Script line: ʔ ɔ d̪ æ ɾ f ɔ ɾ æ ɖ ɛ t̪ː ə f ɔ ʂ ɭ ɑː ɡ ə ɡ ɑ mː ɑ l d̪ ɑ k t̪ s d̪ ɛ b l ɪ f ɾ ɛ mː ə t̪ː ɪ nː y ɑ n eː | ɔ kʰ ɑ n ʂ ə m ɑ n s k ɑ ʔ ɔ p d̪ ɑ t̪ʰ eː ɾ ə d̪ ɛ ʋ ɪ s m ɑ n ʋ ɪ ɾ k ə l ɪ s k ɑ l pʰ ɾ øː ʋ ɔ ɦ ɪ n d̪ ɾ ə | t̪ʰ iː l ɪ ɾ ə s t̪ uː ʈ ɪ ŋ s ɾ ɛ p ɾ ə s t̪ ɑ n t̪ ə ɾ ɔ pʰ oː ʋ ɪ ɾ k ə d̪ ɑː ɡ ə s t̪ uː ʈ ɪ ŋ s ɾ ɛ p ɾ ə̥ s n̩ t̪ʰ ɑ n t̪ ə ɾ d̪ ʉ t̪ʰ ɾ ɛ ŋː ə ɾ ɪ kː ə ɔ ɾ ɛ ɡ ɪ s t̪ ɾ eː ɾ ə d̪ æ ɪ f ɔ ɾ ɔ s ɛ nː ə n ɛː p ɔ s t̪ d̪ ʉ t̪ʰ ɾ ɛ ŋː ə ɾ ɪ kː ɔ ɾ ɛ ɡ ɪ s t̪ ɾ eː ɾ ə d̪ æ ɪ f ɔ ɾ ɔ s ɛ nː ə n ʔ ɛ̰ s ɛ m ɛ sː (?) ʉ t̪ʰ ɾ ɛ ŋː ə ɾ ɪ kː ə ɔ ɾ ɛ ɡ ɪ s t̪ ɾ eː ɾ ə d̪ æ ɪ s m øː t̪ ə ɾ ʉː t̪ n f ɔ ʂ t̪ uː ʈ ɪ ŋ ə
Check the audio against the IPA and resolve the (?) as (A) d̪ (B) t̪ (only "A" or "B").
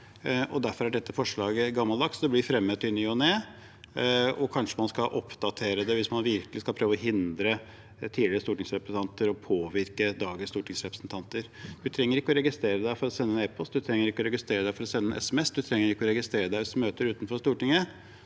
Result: A